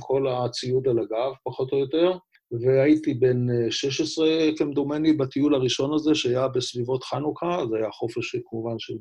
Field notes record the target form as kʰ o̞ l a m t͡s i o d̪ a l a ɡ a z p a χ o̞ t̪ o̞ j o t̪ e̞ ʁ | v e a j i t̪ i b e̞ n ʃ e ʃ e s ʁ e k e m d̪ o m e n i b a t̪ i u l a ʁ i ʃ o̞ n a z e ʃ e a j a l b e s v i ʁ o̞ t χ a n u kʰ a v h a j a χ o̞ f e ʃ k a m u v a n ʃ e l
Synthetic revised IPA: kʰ o̞ l a t͡s i u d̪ a l a ɡ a v p a χ o̞ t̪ o̞ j o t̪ e̞ ʁ | v e a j i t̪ i b e̞ n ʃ e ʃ e s ʁ e k e m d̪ o m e n i b a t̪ i u l a ʁ i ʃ o̞ n a z e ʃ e a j a b e s v i v o̞ t χ a n u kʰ a z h a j a χ o̞ f e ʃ k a m u v a n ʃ e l